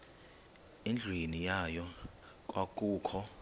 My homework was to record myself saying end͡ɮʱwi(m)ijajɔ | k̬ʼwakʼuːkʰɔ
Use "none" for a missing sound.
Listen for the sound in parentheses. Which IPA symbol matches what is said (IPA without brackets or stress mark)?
n